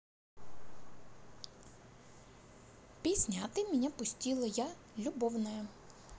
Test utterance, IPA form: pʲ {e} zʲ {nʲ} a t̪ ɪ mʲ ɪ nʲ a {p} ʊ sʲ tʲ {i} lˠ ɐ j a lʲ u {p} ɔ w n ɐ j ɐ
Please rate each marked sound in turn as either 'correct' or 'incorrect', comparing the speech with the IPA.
incorrect: i, correct, correct, correct, incorrect: b

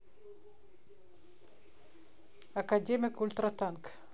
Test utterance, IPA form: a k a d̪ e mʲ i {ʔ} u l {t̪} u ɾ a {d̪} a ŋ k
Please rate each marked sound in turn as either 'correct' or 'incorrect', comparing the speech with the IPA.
incorrect: k, correct, incorrect: t̪

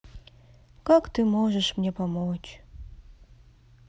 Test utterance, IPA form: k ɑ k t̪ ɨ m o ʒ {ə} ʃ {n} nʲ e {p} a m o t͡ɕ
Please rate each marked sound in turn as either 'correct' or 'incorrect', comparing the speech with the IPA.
correct, incorrect: m, correct

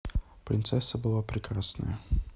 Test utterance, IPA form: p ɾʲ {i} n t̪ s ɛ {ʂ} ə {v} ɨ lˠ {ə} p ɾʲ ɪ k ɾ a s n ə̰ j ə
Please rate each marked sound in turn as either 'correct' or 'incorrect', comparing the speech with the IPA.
incorrect: ɪ, incorrect: s, incorrect: b, incorrect: a

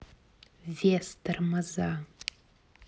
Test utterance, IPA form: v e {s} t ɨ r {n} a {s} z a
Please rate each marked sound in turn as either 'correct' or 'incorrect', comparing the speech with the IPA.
correct, incorrect: m, incorrect: none

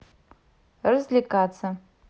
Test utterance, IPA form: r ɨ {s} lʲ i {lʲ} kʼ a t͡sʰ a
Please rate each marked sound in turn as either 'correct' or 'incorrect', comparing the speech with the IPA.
incorrect: z, incorrect: none

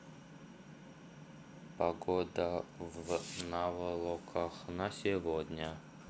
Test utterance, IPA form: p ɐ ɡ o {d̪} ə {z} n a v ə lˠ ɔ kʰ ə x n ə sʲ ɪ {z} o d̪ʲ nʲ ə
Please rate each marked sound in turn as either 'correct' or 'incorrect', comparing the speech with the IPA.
correct, incorrect: v, incorrect: v

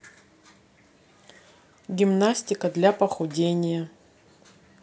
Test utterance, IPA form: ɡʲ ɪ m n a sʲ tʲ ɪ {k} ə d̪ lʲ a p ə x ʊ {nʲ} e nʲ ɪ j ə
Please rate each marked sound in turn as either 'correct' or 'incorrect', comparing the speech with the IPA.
correct, incorrect: dʲ

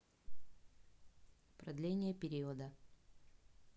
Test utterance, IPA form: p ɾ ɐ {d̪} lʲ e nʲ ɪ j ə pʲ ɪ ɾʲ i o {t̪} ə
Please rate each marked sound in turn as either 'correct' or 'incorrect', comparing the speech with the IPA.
correct, incorrect: d̪

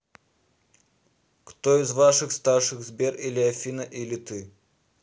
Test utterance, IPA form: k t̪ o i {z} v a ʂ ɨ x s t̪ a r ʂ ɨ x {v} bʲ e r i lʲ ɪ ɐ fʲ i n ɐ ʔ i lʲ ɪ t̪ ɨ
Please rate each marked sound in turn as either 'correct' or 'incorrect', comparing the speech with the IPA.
correct, incorrect: z

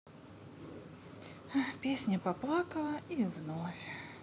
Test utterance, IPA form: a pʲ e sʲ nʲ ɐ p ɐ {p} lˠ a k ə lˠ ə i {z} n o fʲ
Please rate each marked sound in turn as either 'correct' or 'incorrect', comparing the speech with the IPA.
correct, incorrect: v

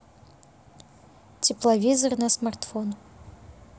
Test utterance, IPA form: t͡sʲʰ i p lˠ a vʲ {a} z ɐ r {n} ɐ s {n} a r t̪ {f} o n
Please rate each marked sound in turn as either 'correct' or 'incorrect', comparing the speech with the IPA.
incorrect: i, correct, incorrect: m, correct

